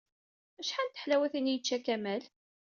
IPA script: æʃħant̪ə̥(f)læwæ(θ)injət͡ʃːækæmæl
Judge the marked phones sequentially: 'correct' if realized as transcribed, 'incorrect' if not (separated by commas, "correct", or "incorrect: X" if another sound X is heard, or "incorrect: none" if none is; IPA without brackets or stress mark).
incorrect: ħ, correct